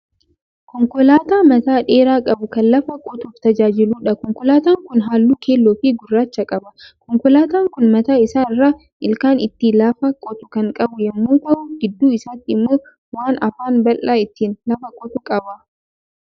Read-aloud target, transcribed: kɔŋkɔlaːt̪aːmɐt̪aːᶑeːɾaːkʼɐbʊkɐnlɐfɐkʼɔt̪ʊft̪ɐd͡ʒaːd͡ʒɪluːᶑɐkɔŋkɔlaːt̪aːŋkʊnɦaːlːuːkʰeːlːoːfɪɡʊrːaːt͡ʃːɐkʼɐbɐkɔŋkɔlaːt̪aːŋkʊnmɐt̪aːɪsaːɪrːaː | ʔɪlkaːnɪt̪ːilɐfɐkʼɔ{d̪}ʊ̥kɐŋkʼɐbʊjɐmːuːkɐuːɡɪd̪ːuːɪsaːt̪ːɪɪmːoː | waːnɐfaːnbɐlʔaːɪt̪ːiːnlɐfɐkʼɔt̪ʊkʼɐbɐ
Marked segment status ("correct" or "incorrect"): incorrect